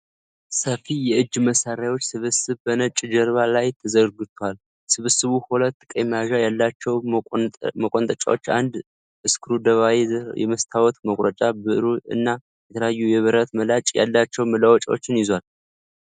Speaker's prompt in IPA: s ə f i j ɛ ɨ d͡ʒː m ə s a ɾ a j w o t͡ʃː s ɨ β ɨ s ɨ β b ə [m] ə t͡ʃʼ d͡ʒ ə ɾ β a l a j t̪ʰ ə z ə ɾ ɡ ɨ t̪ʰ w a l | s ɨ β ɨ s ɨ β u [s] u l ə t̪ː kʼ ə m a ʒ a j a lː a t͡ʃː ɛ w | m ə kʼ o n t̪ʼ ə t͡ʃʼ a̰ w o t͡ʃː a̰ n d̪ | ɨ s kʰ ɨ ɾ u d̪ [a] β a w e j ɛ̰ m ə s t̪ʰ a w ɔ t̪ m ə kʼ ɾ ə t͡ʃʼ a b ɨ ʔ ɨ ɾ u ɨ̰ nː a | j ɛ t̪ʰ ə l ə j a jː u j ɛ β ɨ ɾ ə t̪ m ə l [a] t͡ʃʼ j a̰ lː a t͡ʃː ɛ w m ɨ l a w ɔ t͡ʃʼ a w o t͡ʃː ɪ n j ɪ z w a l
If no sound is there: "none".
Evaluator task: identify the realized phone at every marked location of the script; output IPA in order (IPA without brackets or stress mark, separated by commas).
n, h, ə, a